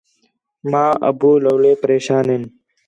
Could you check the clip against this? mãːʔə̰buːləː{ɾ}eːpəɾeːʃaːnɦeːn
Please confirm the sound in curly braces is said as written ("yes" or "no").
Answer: no